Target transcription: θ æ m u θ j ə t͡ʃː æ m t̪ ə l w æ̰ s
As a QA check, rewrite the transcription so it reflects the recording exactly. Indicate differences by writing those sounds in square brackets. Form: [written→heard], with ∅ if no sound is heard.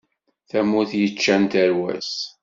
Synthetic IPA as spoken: θ æ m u θ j ə t͡ʃː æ [m→n] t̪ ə [l→ɾ] w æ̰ s